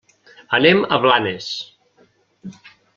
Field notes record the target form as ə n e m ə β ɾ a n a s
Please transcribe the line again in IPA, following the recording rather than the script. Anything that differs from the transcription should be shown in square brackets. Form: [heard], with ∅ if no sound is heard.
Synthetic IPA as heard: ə n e m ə β [l] a n [e] s